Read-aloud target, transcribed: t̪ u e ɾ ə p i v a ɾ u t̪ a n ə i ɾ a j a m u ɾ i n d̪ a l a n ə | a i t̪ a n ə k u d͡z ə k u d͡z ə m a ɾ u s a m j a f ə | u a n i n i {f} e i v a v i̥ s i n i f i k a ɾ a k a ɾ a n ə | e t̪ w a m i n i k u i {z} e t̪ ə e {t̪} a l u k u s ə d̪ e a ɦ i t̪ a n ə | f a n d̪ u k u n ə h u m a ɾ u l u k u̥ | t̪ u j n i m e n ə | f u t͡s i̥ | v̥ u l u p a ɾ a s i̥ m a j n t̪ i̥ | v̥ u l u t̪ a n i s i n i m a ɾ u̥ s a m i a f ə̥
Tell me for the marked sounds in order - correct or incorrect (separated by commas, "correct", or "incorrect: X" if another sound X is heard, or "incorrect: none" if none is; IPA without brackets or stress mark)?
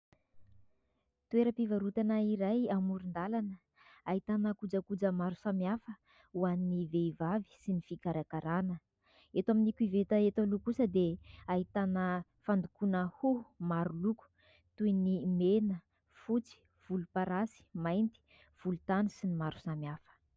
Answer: incorrect: v, incorrect: v, correct